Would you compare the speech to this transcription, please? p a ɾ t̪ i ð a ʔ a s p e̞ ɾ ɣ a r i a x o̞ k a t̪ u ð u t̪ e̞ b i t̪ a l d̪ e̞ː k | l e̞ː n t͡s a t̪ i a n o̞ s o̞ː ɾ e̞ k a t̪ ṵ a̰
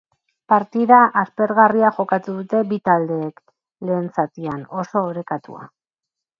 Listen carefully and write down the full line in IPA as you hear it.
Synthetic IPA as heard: p a ɾ t̪ i ð a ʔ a s p e̞ ɾ ɣ a r i a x o̞ k a t̪ u ð u t̪ e̞ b i t̪ a l d̪ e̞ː k | l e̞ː n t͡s a t̪ i a n o̞ s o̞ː ɾ e̞ k a t̪ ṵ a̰